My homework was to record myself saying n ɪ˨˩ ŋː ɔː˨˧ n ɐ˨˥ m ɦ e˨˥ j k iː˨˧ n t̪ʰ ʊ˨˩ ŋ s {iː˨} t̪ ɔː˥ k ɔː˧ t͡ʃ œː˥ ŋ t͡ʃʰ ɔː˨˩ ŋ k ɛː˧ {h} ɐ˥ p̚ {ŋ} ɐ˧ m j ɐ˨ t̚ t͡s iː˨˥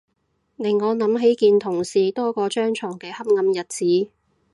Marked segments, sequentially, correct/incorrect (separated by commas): correct, correct, correct